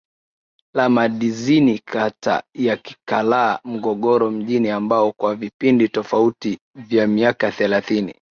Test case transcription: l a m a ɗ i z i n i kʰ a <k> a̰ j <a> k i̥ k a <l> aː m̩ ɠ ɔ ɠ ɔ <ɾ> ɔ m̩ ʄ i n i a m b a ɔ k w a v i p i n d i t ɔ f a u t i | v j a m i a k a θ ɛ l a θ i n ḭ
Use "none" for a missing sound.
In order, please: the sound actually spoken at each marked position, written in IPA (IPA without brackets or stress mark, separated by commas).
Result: t, a, l, ɾ